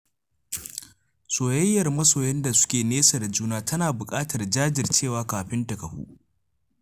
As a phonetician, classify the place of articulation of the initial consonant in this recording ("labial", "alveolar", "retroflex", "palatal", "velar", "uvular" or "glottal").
alveolar